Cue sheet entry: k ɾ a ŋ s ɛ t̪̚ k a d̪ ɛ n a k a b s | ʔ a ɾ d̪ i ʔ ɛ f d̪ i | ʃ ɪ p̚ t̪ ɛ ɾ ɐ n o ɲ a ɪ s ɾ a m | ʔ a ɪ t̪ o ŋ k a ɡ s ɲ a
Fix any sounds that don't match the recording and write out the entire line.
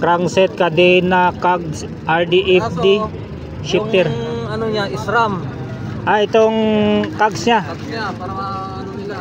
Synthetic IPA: k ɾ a ŋ s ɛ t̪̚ k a d̪ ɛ n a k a ɡ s | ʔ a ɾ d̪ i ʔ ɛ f d̪ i | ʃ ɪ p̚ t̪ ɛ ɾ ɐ n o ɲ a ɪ s ɾ a m | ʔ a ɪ t̪ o ŋ k a ɡ s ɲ a